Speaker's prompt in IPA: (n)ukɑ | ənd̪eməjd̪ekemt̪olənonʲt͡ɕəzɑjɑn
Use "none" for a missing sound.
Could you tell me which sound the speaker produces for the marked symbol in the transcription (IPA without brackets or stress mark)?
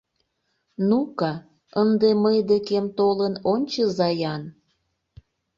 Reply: n